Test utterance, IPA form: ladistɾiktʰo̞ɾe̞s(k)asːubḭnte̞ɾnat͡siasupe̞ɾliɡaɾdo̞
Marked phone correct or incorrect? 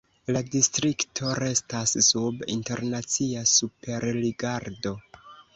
incorrect: t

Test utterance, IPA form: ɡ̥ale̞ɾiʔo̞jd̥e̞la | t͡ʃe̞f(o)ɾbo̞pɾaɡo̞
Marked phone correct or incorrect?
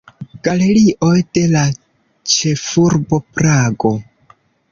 incorrect: u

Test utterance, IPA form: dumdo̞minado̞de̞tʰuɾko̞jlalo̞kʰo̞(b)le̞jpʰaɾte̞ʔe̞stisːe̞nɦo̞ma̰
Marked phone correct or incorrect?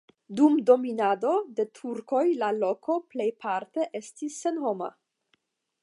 incorrect: p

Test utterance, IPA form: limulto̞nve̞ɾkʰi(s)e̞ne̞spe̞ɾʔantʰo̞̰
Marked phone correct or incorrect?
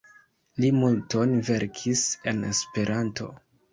correct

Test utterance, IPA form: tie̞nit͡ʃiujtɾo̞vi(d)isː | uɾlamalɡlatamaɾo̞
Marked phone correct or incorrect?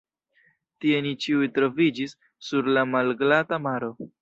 incorrect: d͡ʒ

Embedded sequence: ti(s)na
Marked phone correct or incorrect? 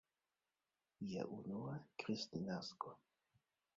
incorrect: none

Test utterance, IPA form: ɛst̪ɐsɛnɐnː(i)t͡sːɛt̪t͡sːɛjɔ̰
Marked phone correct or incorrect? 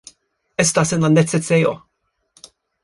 incorrect: ɛ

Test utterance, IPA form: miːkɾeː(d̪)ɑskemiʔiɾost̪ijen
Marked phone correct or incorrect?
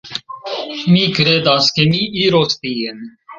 correct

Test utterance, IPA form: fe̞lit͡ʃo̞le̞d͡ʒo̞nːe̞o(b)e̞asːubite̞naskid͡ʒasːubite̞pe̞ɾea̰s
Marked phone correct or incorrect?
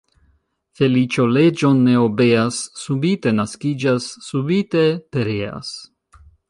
correct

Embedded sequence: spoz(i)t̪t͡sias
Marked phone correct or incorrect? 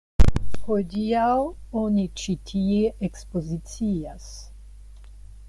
correct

